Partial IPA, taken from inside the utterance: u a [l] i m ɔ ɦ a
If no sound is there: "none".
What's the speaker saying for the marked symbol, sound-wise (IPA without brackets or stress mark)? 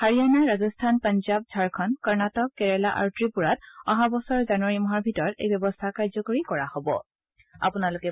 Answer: ɹ